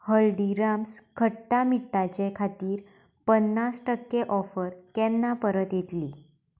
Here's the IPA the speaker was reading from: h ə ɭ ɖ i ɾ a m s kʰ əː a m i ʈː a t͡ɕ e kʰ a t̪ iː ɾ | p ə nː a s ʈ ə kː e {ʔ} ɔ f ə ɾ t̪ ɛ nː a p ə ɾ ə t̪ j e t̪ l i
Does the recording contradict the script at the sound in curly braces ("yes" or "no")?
no